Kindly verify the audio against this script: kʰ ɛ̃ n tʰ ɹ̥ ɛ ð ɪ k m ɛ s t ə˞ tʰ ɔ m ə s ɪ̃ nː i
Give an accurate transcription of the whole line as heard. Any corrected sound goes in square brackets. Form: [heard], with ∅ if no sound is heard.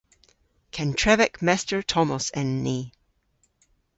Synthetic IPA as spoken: kʰ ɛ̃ n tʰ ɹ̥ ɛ [v] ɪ k m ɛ s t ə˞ tʰ ɔ m ə s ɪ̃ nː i